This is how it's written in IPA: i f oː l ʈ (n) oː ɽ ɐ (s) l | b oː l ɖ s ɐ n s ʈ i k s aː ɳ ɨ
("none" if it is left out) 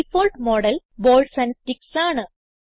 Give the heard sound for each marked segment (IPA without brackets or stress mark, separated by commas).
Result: m, none